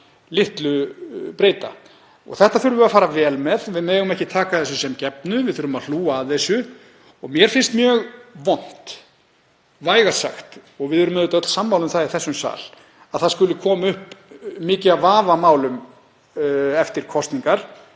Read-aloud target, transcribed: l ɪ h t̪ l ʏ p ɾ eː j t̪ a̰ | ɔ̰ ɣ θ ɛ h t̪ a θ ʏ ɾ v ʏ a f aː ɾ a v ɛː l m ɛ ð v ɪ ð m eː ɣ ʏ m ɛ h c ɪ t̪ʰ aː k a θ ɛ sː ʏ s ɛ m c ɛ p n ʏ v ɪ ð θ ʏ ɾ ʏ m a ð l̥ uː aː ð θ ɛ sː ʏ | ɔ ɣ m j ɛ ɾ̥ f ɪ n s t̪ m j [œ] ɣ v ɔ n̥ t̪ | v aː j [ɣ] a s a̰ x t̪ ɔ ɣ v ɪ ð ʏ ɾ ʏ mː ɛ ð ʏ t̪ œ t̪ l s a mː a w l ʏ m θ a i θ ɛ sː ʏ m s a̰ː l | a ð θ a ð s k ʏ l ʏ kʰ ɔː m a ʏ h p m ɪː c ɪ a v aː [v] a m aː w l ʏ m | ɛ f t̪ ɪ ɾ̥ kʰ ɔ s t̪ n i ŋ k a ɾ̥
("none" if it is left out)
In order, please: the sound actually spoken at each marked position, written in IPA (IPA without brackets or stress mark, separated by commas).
œː, ɣ, v